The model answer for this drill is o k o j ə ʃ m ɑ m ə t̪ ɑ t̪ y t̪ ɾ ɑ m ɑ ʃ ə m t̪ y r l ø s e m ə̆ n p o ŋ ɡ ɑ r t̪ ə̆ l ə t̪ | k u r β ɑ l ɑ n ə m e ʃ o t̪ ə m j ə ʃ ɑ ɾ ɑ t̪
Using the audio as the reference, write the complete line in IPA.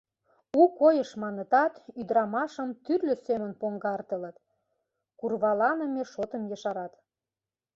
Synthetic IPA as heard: u k o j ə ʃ m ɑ n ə t̪ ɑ t̪ y d̪ ɾ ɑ m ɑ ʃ ə m t̪ y r l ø s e m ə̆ n p o ŋ ɡ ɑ r t̪ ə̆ l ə t̪ | k u r β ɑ l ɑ n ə m e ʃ o t̪ ə m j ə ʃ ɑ ɾ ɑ t̪